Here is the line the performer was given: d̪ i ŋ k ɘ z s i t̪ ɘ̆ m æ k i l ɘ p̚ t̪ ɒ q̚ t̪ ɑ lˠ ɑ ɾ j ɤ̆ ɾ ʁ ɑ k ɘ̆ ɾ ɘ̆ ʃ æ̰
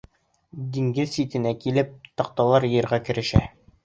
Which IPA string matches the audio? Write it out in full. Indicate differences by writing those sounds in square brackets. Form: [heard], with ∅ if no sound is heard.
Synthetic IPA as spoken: d̪ i ŋ [ɡ] ɘ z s i t̪ ɘ̆ [n] æ k i l ɘ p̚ t̪ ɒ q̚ t̪ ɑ lˠ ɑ ɾ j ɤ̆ ɾ ʁ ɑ k ɘ̆ ɾ ɘ̆ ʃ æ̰